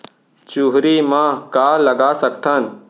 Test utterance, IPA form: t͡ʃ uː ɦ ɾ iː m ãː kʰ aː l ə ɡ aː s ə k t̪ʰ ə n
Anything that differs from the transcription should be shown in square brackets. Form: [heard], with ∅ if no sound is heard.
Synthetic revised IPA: t͡ʃ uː ɦ ɾ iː m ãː [k] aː l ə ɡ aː s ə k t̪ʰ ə n